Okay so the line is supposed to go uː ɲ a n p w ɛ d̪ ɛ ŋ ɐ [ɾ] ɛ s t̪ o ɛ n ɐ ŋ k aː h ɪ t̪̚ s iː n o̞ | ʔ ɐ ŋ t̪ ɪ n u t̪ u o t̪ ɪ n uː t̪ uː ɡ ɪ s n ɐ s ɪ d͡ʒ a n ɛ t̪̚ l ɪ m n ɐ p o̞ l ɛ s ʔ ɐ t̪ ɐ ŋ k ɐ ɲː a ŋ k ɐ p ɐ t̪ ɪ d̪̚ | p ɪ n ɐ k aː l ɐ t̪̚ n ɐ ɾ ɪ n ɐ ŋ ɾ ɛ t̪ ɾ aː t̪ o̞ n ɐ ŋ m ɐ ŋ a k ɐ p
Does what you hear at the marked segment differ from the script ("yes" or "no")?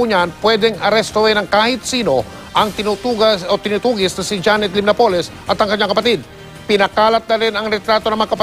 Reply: no